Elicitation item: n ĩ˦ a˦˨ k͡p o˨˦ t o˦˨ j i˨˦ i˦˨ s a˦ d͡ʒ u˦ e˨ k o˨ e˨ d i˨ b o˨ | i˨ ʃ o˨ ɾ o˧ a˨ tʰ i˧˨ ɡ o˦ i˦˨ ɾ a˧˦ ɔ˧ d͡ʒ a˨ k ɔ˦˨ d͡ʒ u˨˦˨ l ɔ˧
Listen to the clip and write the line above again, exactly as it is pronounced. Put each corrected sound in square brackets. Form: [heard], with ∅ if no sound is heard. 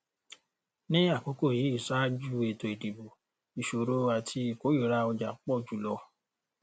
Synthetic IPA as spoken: n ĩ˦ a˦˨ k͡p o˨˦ [k] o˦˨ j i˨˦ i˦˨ s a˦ d͡ʒ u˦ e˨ [t] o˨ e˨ d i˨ b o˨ | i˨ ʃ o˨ ɾ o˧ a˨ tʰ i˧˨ [k] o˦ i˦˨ ɾ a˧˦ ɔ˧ d͡ʒ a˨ [k͡p] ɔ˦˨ d͡ʒ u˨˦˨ l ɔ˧